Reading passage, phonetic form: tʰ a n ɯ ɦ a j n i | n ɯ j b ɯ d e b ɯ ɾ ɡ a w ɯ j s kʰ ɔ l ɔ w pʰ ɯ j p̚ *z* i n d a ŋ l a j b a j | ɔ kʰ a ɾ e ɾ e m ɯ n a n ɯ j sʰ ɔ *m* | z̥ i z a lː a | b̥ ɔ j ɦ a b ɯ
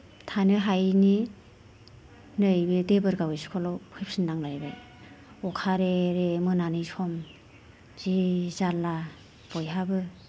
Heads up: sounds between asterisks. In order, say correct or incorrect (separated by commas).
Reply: incorrect, correct